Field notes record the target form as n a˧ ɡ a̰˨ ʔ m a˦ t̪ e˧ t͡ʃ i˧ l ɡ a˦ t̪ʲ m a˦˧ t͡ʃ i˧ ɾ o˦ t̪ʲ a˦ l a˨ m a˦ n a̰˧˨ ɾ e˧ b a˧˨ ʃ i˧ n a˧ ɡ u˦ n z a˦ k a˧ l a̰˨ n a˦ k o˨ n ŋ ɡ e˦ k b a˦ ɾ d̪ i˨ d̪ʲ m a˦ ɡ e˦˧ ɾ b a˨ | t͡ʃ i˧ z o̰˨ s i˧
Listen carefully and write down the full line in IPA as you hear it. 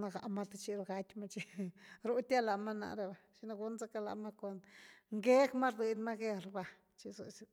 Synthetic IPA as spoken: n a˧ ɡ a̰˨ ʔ m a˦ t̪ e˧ t͡ʃ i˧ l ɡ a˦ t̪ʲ m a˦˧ t͡ʃ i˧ ɾ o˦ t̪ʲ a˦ l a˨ m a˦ n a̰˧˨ ɾ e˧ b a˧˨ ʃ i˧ n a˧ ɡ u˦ n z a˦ k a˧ l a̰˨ m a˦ k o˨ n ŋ ɡ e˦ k m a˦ ɾ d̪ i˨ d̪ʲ m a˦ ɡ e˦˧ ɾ b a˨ | t͡ʃ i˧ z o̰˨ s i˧